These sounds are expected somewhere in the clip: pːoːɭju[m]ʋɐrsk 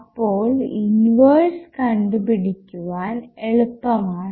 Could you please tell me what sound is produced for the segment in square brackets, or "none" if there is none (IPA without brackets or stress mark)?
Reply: n